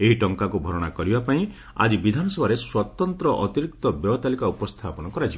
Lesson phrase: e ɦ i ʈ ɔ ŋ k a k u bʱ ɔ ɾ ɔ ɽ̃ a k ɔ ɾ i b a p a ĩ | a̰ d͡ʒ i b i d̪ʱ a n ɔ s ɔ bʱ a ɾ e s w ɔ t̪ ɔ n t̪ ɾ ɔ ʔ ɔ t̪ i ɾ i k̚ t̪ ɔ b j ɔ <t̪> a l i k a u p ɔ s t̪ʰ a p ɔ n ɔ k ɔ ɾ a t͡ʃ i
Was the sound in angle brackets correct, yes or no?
yes